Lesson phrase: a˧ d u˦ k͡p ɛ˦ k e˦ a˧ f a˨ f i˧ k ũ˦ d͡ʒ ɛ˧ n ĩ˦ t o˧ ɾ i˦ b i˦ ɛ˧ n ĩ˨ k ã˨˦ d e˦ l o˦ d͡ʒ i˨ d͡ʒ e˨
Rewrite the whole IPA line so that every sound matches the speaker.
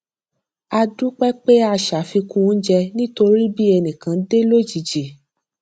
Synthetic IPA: a˧ d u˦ k͡p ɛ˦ k͡p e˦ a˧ ʃ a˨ f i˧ k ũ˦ d͡ʒ ɛ˧ n ĩ˦ t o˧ ɾ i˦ b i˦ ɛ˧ n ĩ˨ k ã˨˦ d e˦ l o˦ d͡ʒ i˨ d͡ʒ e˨

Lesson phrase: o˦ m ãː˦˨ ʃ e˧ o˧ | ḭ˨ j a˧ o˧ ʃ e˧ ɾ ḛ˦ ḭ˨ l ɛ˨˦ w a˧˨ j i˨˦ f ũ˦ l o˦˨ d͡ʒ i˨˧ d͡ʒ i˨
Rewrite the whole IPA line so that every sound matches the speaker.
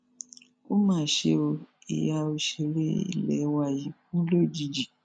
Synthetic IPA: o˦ m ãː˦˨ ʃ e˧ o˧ | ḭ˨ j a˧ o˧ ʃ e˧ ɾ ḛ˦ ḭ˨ l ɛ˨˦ w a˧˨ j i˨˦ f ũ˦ l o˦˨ d͡ʒ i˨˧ d͡ʒ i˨

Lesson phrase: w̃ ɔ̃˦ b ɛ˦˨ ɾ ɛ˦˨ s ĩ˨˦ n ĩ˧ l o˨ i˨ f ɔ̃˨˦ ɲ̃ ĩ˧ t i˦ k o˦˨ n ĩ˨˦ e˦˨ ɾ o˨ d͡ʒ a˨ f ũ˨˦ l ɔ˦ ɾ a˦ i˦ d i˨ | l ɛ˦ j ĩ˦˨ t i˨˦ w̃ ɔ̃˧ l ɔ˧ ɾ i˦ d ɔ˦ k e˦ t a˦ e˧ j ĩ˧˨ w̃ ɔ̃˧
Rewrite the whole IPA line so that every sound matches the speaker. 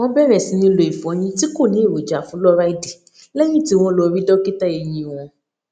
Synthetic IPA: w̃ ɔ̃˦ b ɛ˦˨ ɾ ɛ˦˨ s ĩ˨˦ n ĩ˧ l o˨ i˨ f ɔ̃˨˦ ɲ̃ ĩ˧ t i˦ k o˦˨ n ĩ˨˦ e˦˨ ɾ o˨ d͡ʒ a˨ f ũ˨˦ l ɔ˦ ɾ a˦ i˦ d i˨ | l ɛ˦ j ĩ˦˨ t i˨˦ w̃ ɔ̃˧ l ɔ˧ ɾ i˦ d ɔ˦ k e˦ t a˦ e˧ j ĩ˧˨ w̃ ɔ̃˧

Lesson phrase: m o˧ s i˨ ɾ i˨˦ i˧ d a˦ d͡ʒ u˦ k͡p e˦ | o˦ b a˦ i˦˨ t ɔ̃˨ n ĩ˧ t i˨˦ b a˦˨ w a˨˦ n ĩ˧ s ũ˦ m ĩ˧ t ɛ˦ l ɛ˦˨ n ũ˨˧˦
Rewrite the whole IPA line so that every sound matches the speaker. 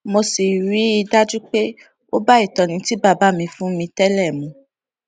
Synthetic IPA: m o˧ s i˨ ɾ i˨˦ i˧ d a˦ d͡ʒ u˦ k͡p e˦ | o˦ b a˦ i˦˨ t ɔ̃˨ n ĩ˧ t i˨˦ b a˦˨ b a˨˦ m ĩ˧ f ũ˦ m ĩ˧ t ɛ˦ l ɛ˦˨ m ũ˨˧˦

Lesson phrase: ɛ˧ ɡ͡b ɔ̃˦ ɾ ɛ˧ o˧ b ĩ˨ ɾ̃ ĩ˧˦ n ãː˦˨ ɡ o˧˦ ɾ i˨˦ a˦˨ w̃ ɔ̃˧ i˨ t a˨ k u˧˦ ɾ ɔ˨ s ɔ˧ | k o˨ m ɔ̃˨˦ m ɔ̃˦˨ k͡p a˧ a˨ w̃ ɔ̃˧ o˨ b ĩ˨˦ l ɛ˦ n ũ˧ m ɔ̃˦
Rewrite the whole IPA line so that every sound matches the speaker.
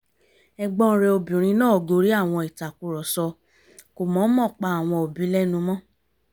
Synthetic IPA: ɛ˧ ɡ͡b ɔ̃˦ ɾ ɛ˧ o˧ b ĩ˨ ɾ̃ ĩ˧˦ n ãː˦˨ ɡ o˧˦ ɾ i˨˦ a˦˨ w̃ ɔ̃˧ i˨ t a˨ k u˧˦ ɾ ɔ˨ s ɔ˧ | k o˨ m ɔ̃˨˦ m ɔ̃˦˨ k͡p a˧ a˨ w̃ ɔ̃˧ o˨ b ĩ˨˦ l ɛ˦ n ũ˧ m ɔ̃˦

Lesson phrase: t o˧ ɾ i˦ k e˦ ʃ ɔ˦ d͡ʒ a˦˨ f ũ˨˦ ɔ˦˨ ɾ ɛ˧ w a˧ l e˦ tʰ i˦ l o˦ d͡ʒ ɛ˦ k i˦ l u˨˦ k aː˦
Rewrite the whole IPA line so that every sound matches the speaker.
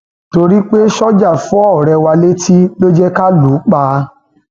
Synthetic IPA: t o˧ ɾ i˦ k͡p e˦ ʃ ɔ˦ d͡ʒ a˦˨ f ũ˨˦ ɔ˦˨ ɾ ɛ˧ w a˧ l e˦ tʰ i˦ l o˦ d͡ʒ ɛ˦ k a˦ l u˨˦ k͡p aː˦

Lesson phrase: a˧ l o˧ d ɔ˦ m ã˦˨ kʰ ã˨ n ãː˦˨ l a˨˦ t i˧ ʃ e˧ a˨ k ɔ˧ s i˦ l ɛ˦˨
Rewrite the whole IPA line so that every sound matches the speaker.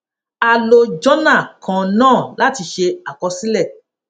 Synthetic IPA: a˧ l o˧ d͡ʒ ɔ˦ n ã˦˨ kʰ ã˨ n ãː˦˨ l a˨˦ t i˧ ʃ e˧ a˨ k ɔ˧ s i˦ l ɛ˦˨

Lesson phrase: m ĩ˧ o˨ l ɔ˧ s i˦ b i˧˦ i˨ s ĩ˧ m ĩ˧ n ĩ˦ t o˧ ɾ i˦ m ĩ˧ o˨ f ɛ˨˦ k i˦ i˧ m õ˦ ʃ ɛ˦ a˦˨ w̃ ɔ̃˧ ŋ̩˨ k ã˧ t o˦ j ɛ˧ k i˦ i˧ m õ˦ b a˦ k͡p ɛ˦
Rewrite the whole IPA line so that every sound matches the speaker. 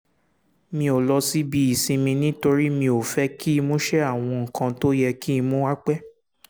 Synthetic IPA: m ĩ˧ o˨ l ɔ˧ s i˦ b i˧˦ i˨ s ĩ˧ m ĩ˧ n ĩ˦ t o˧ ɾ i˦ m ĩ˧ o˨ f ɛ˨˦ k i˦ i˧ m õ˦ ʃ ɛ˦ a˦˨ w̃ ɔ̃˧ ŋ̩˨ k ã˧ t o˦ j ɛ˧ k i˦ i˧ m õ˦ w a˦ k͡p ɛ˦

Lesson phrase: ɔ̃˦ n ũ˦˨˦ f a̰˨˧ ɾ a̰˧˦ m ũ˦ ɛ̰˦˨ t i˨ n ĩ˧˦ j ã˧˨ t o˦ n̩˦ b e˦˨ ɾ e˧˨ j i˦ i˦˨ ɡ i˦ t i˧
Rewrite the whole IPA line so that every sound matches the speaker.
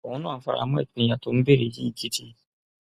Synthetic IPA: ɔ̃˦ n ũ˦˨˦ f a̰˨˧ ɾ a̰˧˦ m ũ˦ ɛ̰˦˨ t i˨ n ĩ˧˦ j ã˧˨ t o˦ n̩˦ b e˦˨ ɾ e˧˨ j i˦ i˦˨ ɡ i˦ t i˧

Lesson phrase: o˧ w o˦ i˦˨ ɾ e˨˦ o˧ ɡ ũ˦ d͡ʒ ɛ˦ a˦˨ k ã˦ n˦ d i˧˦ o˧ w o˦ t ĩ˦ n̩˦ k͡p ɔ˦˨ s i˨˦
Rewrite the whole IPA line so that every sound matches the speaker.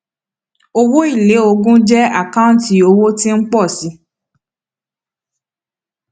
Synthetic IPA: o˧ w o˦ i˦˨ l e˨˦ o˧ ɡ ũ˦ d͡ʒ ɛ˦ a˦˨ k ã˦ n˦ t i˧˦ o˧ w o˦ t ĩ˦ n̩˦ k͡p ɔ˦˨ s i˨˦

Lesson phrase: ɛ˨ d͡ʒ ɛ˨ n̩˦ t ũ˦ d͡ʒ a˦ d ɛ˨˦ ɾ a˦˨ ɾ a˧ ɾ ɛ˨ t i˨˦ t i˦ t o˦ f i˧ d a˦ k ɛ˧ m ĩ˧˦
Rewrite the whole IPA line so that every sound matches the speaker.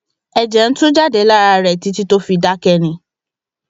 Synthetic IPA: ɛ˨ d͡ʒ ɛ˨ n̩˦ t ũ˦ d͡ʒ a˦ d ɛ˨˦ l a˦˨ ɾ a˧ ɾ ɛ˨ t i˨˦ t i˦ t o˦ f i˧ d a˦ k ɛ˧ n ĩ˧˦

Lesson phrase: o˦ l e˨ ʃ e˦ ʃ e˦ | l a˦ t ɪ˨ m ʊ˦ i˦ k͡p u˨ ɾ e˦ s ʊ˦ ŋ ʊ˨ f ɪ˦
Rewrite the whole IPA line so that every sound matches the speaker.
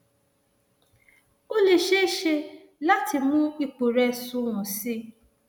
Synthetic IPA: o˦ l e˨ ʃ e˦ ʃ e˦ | l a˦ t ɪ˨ m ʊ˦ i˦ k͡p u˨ ɾ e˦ s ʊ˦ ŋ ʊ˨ s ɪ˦

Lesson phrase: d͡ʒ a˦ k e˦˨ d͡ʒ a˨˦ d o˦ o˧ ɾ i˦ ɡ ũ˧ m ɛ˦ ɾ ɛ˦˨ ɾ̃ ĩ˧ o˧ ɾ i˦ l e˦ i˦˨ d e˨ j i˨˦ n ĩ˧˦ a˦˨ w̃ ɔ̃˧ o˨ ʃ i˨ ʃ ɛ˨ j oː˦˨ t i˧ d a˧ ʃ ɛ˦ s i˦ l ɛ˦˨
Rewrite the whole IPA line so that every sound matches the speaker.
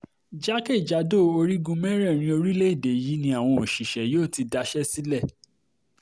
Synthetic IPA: d͡ʒ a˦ k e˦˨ d͡ʒ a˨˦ d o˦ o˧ ɾ i˦ ɡ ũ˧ m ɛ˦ ɾ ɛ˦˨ ɾ̃ ĩ˧ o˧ ɾ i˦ l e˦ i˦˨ d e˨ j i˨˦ n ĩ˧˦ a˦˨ w̃ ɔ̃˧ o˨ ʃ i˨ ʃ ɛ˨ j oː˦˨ t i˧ d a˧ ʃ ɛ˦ s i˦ l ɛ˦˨

